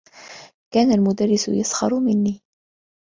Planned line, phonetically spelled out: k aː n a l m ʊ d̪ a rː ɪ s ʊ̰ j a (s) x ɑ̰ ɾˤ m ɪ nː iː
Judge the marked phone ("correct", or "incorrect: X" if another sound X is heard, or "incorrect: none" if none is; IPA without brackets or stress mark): correct